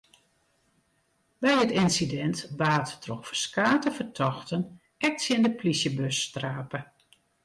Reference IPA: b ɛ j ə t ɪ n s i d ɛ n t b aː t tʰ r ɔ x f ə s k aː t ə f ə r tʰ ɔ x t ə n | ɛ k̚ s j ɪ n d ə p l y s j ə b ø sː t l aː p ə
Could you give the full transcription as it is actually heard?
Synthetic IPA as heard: b ɛ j ə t ɪ n s i d ɛ n t b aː t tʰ r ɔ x f ə s k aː t ə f ə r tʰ ɔ x t ə n | ɛ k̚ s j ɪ n d ə p l i s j ə b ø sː t r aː p ə